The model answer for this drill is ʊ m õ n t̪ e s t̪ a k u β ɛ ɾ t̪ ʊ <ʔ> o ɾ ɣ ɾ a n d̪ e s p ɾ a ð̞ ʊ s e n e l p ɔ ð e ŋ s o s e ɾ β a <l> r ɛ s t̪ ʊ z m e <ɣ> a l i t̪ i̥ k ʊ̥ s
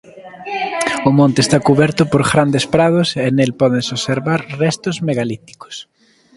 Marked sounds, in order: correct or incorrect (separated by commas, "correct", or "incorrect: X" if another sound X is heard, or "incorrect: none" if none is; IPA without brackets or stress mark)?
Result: incorrect: p, incorrect: ɾ, correct